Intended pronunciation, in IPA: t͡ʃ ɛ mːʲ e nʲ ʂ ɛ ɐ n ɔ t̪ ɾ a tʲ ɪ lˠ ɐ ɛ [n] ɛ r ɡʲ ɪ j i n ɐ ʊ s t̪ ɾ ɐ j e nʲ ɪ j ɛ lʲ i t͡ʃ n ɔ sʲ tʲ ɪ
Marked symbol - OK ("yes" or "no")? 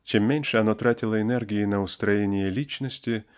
yes